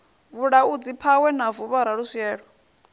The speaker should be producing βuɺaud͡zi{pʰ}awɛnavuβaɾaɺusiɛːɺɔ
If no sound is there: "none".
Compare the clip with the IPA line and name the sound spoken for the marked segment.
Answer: pʰ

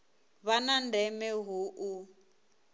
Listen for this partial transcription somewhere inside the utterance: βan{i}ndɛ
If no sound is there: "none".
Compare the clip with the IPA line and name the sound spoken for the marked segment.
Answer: a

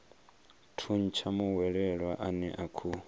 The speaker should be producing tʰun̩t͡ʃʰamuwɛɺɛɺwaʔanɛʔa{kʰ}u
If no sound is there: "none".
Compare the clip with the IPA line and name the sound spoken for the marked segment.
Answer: kʰ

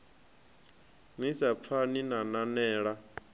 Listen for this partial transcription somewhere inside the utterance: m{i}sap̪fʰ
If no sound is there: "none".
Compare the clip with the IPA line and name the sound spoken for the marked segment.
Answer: i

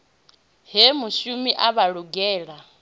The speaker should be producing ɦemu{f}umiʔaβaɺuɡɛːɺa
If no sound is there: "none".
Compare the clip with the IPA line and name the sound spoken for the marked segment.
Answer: ʃ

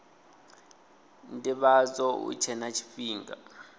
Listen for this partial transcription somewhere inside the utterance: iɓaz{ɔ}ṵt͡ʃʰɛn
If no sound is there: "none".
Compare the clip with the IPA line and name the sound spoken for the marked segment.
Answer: ɔ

